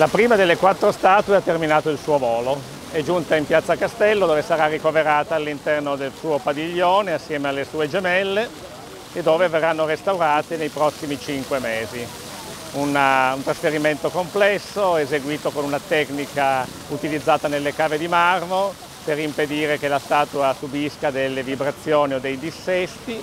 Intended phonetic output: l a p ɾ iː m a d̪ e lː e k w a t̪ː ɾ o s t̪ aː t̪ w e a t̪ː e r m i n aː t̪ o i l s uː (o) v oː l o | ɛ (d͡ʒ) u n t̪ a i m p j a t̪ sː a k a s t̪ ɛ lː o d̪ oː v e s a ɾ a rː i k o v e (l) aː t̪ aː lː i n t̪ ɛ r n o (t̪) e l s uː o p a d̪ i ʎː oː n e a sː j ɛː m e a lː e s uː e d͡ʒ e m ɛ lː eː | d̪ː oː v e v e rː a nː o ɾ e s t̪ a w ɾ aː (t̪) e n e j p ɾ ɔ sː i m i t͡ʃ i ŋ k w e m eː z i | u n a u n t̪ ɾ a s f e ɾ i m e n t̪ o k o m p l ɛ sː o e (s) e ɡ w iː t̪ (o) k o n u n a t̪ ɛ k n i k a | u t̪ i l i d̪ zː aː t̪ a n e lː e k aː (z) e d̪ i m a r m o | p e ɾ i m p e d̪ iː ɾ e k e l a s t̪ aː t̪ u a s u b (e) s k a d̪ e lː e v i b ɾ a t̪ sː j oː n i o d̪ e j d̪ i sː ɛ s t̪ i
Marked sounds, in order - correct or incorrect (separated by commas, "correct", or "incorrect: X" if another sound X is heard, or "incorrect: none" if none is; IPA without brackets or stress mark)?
correct, correct, incorrect: ɾ, incorrect: d̪, correct, incorrect: z, correct, incorrect: v, incorrect: i